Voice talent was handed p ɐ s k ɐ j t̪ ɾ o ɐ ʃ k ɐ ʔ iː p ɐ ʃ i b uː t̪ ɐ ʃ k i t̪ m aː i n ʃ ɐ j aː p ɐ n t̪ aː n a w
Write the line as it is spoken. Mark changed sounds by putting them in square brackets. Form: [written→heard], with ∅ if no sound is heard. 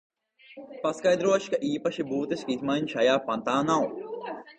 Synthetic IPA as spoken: p ɐ s k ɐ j [t̪→d̪] ɾ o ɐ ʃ k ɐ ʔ iː p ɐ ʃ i b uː t̪ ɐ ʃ k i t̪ m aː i n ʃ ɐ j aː p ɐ n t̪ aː n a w